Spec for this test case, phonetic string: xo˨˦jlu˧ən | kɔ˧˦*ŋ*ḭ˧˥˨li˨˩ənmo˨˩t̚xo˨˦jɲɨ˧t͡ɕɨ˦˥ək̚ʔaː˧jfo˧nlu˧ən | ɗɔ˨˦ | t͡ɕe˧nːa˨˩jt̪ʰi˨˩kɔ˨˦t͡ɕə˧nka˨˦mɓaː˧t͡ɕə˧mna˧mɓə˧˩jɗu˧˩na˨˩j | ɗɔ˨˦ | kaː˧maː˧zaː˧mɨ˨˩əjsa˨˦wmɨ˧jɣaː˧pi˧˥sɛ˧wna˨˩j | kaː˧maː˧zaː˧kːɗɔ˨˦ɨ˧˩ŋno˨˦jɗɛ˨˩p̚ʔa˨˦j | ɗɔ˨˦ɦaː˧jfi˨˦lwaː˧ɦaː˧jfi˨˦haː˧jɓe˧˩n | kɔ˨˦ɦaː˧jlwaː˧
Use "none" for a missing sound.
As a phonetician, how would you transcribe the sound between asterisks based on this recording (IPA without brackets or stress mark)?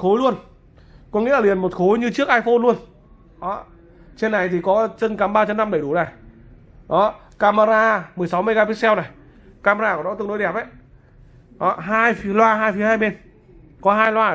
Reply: ŋ